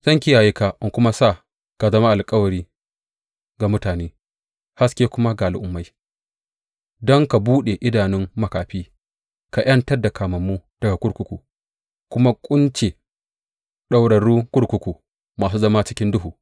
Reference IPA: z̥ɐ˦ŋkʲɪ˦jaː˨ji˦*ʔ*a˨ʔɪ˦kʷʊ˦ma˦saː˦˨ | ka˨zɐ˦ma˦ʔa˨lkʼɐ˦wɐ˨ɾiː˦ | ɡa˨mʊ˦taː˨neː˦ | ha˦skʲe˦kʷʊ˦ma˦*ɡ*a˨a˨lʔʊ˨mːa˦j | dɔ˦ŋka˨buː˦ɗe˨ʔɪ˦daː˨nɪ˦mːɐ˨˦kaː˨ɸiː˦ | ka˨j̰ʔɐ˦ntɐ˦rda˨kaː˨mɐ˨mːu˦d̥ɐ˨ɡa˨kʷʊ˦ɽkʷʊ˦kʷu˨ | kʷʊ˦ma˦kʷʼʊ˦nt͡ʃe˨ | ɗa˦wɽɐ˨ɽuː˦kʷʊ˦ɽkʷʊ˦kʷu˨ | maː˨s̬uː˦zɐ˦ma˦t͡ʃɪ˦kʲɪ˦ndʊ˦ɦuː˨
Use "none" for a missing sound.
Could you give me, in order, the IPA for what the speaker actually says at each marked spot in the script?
k, ɡ

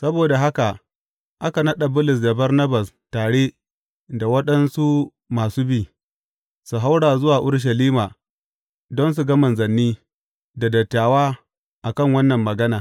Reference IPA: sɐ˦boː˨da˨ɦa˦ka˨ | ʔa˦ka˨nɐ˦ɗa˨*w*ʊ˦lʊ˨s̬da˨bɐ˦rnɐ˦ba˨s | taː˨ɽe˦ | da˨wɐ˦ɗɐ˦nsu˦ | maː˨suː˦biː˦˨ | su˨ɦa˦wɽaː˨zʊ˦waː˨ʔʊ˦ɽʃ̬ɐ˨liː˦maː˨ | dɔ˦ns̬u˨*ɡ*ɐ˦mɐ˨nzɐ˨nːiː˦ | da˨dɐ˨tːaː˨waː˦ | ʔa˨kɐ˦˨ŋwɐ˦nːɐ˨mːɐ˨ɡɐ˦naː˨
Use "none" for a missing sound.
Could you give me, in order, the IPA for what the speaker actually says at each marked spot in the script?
b, ɡ

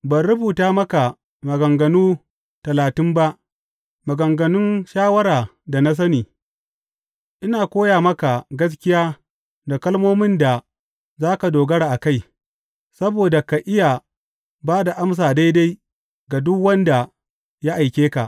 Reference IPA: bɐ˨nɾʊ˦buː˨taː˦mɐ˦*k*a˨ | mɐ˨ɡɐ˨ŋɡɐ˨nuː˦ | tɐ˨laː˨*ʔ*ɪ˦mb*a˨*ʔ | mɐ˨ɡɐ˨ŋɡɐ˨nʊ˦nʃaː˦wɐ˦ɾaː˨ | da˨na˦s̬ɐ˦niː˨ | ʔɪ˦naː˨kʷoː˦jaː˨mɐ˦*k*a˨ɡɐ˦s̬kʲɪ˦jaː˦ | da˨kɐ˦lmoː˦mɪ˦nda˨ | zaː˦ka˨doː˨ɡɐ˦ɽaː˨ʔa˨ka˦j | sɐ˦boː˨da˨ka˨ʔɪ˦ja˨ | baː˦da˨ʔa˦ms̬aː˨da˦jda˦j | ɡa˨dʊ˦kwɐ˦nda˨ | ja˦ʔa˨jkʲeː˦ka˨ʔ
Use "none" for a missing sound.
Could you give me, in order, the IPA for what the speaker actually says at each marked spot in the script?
k, t, a˦, k

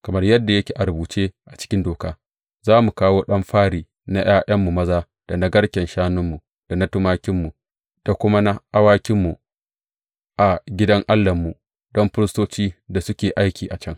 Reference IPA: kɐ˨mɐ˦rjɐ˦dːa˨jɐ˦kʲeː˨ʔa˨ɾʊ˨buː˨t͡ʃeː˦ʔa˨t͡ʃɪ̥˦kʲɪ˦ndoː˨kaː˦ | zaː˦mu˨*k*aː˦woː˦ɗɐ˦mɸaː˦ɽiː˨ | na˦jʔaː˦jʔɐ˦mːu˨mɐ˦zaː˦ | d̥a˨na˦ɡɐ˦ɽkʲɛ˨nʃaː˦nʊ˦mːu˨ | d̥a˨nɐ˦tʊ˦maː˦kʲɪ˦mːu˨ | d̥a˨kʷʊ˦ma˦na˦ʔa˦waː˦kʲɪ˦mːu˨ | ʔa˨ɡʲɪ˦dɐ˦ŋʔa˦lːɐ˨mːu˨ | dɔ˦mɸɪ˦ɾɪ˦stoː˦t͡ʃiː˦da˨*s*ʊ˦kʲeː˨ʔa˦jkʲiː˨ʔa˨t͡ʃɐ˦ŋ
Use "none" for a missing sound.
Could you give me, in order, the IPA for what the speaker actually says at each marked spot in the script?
k, s

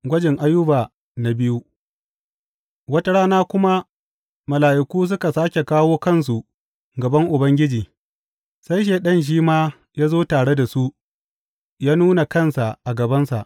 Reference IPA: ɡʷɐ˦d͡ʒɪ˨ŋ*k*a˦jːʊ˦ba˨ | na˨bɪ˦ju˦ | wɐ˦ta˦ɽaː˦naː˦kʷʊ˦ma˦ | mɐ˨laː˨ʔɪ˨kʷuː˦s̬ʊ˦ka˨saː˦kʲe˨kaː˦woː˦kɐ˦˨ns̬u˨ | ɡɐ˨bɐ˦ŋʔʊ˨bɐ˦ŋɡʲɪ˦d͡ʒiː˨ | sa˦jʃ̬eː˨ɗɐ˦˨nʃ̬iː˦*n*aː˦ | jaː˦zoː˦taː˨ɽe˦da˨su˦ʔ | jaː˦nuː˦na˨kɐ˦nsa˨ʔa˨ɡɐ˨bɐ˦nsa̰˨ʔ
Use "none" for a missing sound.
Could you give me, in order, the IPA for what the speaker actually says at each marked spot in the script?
ʔ, m

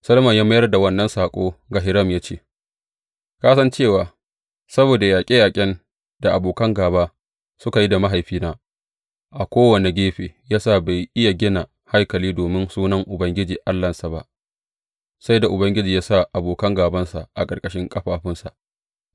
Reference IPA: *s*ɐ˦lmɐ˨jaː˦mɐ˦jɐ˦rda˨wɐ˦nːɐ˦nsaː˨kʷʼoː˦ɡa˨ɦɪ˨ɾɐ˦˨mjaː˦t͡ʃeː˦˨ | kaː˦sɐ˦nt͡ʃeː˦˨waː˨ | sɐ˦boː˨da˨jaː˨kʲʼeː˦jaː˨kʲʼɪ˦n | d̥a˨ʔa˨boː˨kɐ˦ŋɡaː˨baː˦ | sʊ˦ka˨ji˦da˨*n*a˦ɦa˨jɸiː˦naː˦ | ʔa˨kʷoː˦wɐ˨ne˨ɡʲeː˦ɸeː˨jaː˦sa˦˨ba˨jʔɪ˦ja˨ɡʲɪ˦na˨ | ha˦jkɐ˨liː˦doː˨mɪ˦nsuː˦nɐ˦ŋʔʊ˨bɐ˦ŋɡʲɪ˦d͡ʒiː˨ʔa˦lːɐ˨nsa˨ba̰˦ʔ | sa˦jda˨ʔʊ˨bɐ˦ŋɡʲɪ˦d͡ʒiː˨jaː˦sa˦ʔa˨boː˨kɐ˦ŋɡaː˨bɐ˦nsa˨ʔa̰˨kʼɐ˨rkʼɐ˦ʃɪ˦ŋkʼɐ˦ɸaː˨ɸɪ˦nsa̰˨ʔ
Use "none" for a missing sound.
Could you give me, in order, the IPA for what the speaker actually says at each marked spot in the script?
s, m

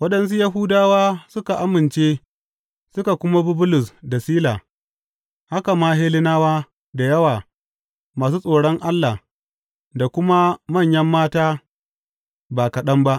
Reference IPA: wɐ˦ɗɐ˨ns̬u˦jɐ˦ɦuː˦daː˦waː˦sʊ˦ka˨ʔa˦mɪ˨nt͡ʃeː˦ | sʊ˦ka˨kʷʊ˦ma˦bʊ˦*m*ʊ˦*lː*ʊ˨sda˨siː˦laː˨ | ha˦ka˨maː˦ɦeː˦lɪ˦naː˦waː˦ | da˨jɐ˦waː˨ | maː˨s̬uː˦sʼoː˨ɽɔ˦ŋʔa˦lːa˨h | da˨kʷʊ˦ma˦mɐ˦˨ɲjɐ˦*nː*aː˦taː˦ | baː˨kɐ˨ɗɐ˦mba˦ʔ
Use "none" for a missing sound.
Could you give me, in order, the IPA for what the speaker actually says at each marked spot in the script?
b, l, mː

